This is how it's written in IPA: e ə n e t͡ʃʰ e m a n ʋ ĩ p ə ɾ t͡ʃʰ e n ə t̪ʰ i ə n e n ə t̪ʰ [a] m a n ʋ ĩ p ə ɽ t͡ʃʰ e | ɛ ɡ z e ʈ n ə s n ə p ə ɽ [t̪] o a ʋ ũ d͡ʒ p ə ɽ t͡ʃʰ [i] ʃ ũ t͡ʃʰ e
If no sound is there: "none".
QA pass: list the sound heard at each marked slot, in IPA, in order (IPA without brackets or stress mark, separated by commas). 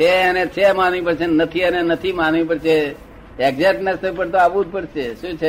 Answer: i, t̪, e